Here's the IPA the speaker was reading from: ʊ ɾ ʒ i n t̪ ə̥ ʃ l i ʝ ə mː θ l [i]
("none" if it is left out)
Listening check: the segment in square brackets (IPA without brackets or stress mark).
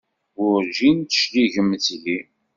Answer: i